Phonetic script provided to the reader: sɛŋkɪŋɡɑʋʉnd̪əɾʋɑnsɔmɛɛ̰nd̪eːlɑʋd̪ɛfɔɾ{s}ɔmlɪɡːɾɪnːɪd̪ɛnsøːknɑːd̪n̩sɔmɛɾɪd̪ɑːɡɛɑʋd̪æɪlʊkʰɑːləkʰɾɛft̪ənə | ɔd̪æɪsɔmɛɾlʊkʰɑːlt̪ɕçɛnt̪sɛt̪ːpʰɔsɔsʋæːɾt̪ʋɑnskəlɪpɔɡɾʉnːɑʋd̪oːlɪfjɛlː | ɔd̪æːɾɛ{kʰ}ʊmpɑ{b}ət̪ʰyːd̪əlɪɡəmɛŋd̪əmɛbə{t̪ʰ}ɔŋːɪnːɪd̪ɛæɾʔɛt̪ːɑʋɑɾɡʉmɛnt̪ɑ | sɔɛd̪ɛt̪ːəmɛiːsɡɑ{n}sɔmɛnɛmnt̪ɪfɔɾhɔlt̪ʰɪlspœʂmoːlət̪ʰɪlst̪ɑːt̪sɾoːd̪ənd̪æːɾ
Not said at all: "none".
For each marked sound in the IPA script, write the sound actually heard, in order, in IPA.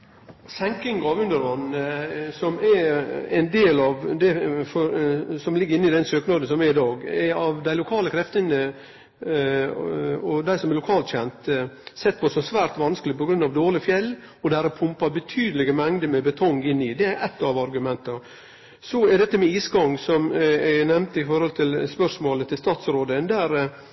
s, pʰ, b, t̪ʰ, ŋ

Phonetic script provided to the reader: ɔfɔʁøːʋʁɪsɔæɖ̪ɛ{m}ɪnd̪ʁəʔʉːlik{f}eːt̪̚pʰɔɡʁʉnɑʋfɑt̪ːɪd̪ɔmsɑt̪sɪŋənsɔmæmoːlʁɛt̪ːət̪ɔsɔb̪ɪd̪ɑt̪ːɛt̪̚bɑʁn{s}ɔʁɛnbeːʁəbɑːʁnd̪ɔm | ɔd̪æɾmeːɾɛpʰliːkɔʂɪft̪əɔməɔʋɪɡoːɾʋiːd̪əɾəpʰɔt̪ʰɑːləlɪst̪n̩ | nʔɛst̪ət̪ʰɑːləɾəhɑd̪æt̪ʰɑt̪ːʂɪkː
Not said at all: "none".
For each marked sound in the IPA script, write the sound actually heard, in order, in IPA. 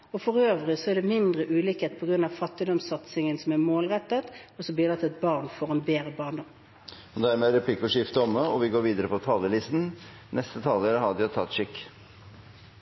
m, h, f

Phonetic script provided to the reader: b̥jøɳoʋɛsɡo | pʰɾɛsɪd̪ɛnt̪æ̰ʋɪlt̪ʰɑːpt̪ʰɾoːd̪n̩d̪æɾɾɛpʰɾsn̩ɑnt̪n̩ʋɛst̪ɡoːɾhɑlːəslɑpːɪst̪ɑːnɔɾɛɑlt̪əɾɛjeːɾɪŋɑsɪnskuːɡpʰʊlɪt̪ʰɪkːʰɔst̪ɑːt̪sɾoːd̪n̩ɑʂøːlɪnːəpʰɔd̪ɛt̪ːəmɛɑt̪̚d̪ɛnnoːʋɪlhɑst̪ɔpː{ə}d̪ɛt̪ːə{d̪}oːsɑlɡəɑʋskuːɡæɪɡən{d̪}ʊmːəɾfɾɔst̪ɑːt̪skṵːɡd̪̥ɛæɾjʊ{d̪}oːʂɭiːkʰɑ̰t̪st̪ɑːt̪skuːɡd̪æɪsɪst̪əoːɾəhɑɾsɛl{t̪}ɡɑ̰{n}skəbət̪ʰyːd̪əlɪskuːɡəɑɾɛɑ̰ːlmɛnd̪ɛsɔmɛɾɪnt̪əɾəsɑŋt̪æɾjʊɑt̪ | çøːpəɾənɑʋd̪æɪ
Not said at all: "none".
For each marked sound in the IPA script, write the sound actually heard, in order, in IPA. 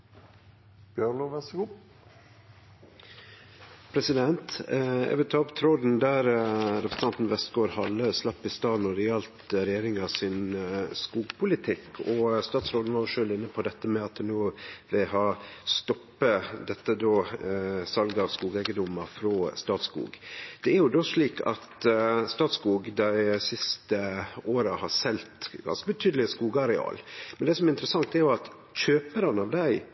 ə, d̪, d̪, d̪, t̪, n

